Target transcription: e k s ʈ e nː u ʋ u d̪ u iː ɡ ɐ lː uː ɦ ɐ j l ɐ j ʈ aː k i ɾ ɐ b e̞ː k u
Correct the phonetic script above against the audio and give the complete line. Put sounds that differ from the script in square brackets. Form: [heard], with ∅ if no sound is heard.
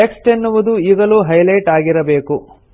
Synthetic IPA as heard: e k s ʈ e nː u ʋ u d̪ u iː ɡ ɐ [l] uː ɦ ɐ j l ɐ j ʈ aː [ɡ] i ɾ ɐ b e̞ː k u